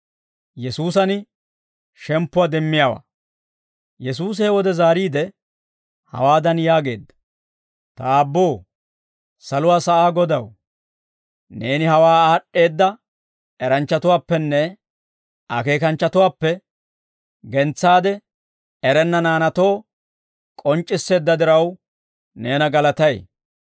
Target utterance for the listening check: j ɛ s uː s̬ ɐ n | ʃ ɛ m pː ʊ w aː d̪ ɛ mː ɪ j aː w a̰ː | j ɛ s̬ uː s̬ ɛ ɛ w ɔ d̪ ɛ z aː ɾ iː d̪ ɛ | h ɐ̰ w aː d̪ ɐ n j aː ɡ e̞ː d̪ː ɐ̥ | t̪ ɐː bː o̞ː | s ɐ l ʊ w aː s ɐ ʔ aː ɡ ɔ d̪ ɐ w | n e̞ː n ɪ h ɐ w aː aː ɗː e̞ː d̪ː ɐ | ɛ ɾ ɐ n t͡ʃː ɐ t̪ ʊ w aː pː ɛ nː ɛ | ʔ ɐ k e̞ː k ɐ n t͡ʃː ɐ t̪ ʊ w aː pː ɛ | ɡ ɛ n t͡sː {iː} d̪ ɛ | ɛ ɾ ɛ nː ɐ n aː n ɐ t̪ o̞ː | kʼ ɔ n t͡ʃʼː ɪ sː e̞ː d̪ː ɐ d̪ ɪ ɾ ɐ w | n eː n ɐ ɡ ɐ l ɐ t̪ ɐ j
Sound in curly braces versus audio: incorrect: aː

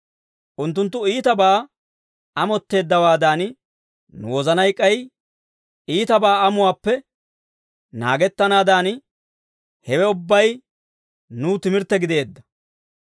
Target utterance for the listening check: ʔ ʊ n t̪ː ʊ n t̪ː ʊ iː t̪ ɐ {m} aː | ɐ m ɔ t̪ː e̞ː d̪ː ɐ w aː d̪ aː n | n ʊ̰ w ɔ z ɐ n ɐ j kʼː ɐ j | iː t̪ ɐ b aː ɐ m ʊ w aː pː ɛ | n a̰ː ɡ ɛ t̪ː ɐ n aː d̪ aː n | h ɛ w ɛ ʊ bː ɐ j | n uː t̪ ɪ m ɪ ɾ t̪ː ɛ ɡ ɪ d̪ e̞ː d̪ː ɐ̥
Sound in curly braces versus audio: incorrect: b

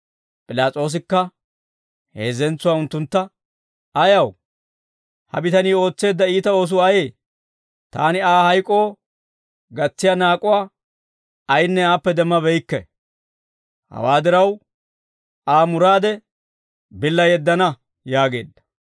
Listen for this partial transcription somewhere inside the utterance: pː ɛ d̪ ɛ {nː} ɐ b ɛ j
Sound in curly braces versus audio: incorrect: mː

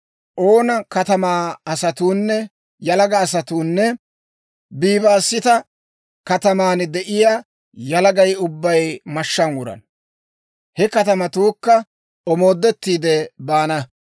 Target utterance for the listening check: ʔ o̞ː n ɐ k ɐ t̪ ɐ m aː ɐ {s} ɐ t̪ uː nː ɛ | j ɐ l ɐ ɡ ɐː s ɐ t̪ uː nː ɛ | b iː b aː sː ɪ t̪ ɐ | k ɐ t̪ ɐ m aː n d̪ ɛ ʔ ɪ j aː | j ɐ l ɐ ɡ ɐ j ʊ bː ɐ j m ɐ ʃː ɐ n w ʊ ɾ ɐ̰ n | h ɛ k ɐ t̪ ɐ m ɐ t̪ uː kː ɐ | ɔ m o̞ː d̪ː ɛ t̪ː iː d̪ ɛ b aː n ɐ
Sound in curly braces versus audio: correct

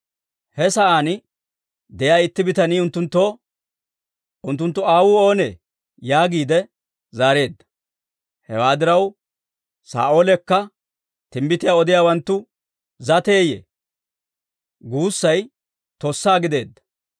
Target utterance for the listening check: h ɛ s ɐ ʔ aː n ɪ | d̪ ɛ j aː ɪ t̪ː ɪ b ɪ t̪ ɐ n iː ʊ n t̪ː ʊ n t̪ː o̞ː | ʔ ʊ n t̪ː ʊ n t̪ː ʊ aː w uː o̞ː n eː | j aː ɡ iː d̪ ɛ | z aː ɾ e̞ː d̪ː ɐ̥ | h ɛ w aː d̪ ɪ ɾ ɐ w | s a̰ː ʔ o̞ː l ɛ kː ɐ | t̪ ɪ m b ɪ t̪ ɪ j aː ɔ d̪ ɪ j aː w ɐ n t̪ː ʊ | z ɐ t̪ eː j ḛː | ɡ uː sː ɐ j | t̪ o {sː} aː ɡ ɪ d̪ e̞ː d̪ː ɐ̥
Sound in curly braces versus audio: correct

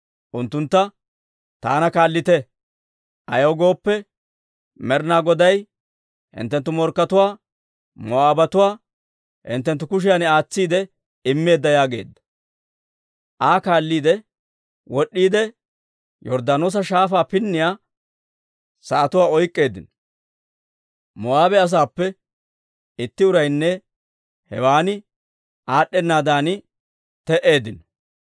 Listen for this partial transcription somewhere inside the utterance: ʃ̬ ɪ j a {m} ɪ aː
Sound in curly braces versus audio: incorrect: n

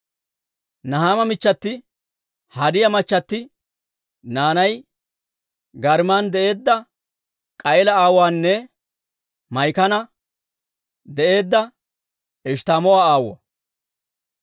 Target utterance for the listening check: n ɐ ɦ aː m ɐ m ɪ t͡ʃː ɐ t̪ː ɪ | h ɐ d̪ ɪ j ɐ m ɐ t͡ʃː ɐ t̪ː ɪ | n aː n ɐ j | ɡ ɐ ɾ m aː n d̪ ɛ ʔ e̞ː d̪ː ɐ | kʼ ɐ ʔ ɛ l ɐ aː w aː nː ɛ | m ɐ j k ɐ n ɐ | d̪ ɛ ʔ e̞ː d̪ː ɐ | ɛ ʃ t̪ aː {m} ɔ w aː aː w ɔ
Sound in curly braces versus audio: correct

